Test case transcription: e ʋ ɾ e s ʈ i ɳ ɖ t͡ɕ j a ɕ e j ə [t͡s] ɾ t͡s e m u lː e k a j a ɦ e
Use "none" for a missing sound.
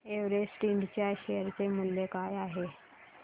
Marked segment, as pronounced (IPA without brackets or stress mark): none